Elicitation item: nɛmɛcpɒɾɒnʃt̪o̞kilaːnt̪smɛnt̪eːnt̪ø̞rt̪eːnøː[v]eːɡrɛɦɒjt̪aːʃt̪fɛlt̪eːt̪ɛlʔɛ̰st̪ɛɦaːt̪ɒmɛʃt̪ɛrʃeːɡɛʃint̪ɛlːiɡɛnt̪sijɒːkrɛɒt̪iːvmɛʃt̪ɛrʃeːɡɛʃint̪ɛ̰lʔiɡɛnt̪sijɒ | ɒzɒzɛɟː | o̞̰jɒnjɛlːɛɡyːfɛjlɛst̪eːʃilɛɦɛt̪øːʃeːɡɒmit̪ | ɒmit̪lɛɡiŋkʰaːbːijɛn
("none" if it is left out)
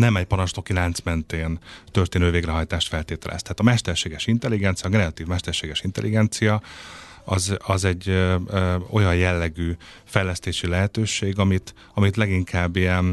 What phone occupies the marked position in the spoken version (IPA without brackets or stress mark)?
v